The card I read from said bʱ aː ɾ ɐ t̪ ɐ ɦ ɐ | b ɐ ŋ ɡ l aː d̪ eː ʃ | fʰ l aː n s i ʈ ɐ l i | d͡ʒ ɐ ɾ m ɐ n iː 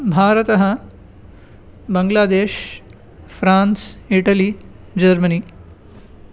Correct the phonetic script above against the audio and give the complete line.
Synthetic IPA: bʱ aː ɾ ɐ t̪ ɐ ɦ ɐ | b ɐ ŋ ɡ l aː d̪ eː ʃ | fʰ ɾ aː n s i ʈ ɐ l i | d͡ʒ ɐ ɾ m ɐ n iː